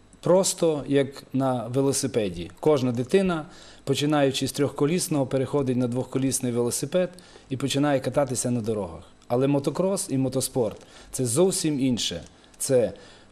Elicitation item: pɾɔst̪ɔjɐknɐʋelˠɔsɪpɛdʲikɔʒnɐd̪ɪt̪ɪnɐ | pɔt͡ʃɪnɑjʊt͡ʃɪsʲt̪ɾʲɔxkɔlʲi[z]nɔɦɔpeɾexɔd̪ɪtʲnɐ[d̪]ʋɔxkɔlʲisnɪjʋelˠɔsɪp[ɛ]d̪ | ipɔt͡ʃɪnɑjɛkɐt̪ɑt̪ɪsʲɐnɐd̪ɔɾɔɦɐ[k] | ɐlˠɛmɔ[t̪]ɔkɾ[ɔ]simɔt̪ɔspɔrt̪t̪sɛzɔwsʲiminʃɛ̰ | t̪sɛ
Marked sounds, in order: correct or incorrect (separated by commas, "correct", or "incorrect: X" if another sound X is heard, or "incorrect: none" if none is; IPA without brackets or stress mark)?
incorrect: s, correct, correct, incorrect: x, correct, correct